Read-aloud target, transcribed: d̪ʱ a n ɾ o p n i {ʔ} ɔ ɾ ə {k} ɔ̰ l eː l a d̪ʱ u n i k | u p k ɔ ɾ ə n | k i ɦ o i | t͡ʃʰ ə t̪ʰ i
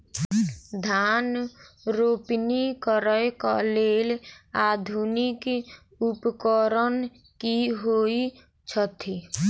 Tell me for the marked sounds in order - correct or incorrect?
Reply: incorrect: k, correct

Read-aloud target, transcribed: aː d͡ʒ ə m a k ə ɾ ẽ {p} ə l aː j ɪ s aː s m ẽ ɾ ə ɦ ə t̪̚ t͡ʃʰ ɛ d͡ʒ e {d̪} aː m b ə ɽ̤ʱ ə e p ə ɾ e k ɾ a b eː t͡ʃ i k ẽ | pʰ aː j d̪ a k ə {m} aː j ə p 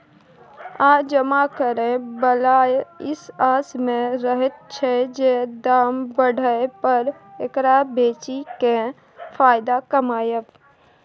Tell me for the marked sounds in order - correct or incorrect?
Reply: incorrect: b, correct, correct

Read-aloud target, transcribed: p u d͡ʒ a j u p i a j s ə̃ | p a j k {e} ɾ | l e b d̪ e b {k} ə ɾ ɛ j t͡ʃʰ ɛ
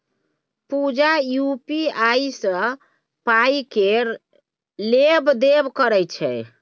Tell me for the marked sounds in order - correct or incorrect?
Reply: correct, correct

